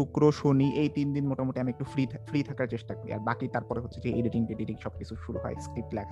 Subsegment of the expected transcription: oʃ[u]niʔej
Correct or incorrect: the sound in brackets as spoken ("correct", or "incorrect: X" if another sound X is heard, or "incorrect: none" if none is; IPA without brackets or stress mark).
incorrect: o